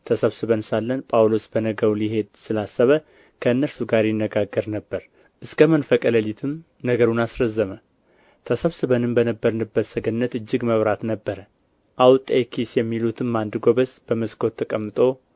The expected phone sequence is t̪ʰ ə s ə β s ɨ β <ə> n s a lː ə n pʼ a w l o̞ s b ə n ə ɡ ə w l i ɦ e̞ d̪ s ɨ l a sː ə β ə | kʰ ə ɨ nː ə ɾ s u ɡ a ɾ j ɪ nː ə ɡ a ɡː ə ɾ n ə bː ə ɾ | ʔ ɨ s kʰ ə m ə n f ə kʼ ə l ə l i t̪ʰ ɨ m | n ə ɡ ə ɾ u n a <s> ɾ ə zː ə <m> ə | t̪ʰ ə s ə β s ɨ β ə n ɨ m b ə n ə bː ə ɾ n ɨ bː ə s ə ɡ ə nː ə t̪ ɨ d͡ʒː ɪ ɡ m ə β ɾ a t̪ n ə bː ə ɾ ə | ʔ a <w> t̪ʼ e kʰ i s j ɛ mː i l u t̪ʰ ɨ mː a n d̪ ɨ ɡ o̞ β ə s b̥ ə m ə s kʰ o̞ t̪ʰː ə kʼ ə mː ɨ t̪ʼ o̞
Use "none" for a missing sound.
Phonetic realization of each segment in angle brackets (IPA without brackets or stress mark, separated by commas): ə, s, m, w